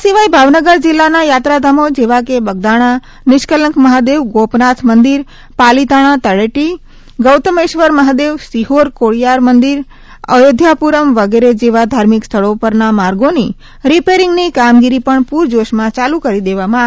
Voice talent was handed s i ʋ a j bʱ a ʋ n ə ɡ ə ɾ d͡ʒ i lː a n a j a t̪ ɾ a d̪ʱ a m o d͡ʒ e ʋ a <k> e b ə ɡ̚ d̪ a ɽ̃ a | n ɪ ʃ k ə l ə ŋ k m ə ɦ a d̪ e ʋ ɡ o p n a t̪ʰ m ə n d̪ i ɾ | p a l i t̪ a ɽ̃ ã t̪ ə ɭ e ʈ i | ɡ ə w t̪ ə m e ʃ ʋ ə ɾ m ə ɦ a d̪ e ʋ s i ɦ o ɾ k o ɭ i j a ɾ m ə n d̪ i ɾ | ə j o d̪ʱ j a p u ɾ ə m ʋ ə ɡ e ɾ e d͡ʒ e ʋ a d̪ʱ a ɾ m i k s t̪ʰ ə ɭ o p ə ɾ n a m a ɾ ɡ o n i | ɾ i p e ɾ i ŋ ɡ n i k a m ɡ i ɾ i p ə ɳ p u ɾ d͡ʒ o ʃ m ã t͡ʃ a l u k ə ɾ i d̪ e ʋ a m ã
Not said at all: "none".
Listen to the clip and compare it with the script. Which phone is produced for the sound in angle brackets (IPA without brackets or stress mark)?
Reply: k